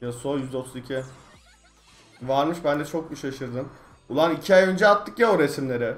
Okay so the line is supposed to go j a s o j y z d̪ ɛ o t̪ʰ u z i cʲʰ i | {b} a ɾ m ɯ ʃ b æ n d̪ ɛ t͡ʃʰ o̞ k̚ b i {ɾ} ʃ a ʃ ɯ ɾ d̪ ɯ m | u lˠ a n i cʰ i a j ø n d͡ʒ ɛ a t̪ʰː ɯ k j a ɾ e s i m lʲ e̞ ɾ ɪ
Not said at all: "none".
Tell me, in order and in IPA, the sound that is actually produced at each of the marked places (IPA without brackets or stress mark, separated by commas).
v, none